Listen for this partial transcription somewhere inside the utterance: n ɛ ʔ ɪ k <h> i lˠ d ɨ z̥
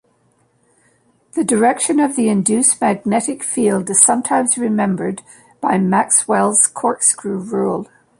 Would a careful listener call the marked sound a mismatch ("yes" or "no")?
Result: yes